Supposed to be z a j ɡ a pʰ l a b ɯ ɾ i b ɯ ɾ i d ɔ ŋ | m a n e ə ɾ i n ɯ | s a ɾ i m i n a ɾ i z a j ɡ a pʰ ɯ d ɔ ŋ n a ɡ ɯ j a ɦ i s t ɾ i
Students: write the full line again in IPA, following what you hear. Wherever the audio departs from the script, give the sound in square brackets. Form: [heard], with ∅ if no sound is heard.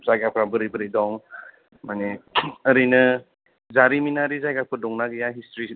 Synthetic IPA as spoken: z a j ɡ a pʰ [ɾ] a b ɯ ɾ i b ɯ ɾ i d ɔ ŋ | m a n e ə ɾ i n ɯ | [z] a ɾ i m i n a ɾ i z a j ɡ a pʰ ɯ d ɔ ŋ n a ɡ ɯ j a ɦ i s t ɾ i